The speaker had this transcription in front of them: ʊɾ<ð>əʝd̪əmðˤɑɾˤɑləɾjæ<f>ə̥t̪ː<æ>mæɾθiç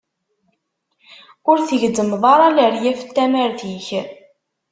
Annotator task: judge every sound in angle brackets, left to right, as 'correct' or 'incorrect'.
incorrect: θ, correct, correct

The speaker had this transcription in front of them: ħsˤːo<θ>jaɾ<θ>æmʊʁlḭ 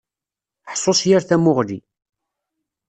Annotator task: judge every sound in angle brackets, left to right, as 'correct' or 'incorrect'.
incorrect: s, correct

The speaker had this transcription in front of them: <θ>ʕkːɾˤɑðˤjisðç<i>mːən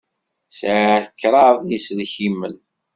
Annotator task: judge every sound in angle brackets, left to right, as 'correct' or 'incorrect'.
incorrect: s, correct

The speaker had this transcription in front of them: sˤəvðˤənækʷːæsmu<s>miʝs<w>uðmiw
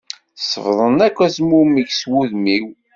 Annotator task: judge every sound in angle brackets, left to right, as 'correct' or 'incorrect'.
incorrect: none, correct

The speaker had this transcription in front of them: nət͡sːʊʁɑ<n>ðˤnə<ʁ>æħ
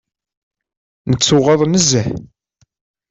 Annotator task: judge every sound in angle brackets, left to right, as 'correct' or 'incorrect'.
incorrect: none, incorrect: z

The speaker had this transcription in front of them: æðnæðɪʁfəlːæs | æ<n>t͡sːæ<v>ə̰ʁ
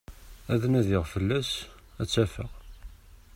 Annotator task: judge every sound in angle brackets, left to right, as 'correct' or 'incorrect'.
incorrect: none, incorrect: f

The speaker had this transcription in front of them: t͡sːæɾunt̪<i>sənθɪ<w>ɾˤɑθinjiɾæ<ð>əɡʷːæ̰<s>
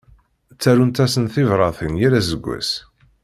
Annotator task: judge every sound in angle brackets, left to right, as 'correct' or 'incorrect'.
incorrect: æ, incorrect: v, incorrect: z, correct

